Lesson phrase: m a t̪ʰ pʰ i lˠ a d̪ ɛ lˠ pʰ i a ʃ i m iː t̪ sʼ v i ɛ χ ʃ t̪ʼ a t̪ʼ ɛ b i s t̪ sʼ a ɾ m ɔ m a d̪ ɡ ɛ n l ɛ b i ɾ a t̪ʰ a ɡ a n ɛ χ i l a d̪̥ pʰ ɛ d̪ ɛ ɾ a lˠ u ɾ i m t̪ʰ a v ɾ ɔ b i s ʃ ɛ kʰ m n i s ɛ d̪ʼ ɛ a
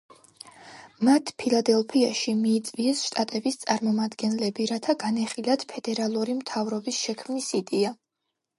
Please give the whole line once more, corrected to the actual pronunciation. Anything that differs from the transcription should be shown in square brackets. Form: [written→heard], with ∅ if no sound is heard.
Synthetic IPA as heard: m a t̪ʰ pʰ i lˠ a d̪ ɛ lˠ pʰ i a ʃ i m iː t̪ sʼ v i ɛ [χ→s] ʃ t̪ʼ a t̪ʼ ɛ b i s t̪ sʼ a ɾ m ɔ m a d̪ ɡ ɛ n l ɛ b i ɾ a t̪ʰ a ɡ a n ɛ χ i l a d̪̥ pʰ ɛ d̪ ɛ ɾ a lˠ u ɾ i m t̪ʰ a v ɾ ɔ b i s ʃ ɛ kʰ m n i s [ɛ→i] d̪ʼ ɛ a